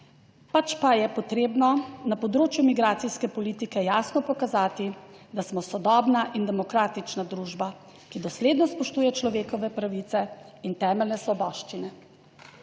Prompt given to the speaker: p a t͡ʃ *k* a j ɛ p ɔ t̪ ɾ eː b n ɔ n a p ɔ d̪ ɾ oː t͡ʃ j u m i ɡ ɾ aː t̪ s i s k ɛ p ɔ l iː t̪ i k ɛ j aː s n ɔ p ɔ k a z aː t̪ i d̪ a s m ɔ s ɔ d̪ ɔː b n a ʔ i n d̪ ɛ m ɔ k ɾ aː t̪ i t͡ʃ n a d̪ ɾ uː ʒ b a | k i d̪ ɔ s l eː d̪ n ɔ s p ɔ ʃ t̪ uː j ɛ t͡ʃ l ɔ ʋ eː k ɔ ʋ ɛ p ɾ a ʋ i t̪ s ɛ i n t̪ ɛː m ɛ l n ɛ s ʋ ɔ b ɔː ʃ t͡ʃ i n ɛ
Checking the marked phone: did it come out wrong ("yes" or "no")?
yes